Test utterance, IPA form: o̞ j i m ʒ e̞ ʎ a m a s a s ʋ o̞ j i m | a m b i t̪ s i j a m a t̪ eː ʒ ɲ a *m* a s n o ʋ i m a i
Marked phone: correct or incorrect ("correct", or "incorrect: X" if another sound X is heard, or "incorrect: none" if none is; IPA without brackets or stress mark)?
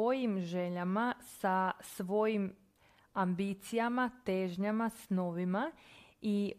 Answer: correct